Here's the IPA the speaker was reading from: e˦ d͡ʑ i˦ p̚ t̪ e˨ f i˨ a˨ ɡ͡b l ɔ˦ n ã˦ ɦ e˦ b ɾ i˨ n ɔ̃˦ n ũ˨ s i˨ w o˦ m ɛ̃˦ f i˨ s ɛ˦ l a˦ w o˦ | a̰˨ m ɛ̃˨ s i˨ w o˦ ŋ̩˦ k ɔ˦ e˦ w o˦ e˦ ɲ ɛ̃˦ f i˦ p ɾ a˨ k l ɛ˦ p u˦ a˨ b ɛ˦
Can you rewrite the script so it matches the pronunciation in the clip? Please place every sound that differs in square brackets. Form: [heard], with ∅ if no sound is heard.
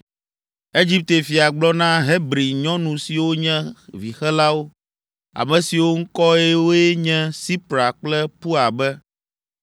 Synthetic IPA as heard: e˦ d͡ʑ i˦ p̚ t̪ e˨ f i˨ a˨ ɡ͡b l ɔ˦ n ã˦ ɦ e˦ b ɾ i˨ [ɲ] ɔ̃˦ n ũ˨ s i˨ w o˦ [ɲ] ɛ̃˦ [v] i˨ [x] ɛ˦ l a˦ w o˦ | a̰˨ m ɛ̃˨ s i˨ w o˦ ŋ̩˦ k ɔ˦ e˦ w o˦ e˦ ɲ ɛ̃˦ [s] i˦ p ɾ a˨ [k͡p] l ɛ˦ p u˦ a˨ b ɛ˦

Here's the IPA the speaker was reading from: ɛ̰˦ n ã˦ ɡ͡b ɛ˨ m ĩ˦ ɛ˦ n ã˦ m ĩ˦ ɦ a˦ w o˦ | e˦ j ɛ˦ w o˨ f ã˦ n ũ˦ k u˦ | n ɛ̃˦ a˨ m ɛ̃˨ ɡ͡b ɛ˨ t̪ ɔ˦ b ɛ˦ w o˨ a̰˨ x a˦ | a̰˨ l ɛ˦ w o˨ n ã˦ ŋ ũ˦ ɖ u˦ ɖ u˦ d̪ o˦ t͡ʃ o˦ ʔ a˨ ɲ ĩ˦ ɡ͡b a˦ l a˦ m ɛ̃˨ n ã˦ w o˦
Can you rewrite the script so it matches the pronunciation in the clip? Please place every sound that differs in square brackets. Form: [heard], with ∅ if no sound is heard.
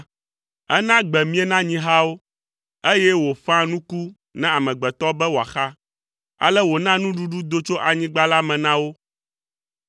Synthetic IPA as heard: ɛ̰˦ n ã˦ ɡ͡b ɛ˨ m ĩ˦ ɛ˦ n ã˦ [ɲ] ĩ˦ ɦ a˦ w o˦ | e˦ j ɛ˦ w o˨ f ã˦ n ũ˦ k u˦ | n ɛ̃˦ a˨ m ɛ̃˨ ɡ͡b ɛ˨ t̪ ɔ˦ b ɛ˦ w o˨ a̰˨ x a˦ | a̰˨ l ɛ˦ w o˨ n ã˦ [n] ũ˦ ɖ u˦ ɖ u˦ d̪ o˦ t͡ʃ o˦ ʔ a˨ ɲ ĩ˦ ɡ͡b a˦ l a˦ m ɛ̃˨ n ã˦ w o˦

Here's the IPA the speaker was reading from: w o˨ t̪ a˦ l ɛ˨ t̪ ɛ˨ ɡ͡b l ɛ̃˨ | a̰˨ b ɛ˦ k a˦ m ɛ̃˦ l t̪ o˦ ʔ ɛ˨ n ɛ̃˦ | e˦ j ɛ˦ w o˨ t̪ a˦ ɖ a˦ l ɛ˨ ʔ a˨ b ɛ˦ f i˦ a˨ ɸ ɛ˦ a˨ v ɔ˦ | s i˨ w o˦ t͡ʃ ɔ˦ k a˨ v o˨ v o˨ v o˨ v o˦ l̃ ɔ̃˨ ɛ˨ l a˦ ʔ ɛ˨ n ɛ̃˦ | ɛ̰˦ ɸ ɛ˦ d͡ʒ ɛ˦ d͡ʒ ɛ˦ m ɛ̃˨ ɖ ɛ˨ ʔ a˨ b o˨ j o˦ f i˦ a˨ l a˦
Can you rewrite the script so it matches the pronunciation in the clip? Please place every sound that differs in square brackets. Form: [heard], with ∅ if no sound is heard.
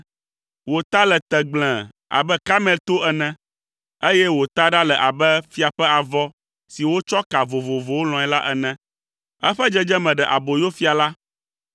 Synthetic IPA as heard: w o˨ t̪ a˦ l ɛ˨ t̪ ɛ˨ ɡ͡b l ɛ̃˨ | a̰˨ b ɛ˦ k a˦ m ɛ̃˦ l t̪ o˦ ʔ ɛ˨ n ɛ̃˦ | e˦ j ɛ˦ w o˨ t̪ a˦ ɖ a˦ l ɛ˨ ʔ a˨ b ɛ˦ f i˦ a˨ ɸ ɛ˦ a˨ v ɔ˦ | s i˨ w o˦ t͡ʃ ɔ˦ k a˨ v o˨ v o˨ v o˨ [w] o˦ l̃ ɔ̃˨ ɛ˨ l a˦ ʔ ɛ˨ n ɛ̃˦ | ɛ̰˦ ɸ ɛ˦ d͡ʒ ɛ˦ d͡ʒ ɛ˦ m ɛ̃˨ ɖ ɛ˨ ʔ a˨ b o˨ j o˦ f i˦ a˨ l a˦

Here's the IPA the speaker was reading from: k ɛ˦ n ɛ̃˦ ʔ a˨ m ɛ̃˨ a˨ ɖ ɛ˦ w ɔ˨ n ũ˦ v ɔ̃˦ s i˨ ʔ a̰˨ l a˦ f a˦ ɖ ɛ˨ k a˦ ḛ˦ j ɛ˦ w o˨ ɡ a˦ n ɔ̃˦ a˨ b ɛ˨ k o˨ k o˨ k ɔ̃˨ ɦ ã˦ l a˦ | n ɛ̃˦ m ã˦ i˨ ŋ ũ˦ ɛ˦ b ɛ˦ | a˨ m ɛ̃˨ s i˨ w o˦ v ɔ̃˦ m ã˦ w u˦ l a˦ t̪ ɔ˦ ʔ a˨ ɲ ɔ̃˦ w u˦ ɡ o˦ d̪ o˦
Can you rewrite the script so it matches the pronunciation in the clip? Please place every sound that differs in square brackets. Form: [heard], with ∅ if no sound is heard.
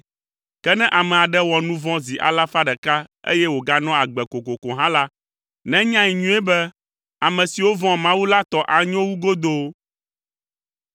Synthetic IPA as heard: k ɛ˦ n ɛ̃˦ ʔ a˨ m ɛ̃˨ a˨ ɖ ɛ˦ w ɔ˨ n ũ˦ v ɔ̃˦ [z] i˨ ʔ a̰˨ l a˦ f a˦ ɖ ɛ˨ k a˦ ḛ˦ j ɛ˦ w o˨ ɡ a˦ n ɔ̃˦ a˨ [ɡ͡b] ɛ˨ k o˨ k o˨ k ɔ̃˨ ɦ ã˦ l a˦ | n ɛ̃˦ [ɲ] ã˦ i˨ [ɲ] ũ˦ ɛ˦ b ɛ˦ | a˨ m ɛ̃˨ s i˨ w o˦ v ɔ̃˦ m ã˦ w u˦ l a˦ t̪ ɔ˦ ʔ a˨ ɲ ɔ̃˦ w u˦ ɡ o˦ d̪ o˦

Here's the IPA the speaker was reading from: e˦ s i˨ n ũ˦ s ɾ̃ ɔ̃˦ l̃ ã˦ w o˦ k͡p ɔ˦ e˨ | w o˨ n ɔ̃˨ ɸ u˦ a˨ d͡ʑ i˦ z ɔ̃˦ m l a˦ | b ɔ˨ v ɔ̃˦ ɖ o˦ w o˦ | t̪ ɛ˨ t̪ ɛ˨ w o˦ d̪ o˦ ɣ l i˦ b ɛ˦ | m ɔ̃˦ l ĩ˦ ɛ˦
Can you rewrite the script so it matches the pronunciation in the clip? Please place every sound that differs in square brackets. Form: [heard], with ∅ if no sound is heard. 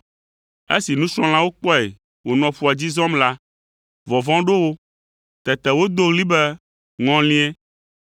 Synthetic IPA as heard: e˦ s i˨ n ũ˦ s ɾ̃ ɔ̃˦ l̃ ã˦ w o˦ k͡p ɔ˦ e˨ | w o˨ n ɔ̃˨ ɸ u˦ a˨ d͡ʑ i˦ z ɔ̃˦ m l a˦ | [v] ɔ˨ v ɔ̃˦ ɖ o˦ w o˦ | t̪ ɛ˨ t̪ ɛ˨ w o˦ d̪ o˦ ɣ l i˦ b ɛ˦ | [ŋ] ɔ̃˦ l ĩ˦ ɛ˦

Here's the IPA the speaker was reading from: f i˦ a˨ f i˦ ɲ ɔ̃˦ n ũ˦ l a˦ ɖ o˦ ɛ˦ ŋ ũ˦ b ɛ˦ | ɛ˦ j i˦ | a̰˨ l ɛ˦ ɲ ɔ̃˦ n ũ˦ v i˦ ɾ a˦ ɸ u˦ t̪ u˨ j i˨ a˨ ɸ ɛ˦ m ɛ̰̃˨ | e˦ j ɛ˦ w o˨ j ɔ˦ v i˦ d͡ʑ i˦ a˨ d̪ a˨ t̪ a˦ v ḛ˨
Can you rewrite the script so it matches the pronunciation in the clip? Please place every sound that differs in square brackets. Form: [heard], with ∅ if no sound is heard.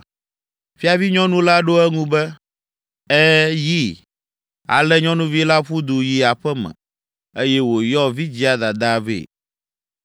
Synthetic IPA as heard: f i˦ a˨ [v] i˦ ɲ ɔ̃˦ n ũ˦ l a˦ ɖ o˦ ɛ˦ ŋ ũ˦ b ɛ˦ | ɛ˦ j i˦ | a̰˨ l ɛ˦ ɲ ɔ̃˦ n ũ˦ v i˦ [l] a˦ ɸ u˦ [d̪] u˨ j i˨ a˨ ɸ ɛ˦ m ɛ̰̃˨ | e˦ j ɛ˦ w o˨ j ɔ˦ v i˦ d͡ʑ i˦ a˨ d̪ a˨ [d̪] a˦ v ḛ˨

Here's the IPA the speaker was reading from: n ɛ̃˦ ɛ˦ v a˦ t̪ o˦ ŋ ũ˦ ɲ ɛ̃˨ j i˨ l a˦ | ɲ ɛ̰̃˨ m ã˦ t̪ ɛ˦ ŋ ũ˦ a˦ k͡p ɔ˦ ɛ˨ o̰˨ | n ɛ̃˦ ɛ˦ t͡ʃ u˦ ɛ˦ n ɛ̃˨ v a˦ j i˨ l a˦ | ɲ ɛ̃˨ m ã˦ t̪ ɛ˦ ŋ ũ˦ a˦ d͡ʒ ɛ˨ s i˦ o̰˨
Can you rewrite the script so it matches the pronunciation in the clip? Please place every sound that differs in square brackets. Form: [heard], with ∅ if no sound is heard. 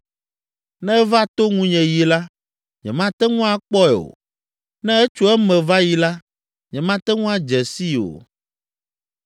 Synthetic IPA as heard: n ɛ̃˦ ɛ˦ v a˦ t̪ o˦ ŋ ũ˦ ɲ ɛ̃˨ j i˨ l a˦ | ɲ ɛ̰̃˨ m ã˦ t̪ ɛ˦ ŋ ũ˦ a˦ k͡p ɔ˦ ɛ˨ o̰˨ | n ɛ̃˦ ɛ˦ t͡ʃ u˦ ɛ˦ [m] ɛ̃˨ v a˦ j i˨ l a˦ | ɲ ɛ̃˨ m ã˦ t̪ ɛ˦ ŋ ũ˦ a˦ d͡ʒ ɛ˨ s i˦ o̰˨

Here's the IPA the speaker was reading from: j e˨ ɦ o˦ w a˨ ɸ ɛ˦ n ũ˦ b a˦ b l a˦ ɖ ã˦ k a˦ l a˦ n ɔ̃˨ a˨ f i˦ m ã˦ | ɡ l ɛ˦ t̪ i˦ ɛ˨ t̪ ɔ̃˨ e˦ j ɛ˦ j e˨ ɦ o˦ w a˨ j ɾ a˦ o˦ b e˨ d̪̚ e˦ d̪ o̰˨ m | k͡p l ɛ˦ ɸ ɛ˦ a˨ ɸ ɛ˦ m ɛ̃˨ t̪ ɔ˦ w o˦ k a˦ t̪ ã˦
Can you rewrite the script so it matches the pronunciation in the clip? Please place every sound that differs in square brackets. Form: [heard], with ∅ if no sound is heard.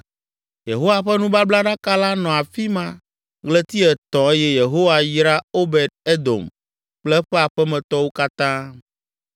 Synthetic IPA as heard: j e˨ ɦ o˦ w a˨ ɸ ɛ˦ n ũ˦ b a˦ b l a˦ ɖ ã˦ k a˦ l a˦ n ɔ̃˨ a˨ f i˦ m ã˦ | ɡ l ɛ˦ t̪ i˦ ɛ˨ t̪ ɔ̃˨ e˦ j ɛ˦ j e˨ ɦ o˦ w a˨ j ɾ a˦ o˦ b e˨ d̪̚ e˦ d̪ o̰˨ m | k͡p l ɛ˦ ɸ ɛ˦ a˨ ɸ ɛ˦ m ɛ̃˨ t̪ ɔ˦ w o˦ k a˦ t̪ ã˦

